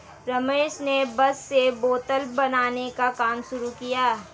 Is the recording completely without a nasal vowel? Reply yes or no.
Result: yes